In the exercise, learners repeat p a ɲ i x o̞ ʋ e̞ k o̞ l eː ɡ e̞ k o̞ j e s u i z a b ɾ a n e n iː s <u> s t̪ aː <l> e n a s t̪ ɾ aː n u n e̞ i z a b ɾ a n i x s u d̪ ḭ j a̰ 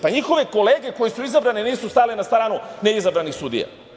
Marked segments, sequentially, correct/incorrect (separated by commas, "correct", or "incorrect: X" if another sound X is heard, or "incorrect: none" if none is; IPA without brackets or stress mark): correct, correct